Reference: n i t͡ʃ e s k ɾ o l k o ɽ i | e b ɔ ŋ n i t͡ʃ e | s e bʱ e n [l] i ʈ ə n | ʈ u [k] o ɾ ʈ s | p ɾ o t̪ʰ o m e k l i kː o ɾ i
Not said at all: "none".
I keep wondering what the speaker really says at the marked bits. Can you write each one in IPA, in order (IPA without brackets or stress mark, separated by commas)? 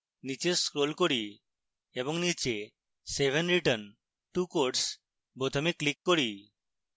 ɾ, k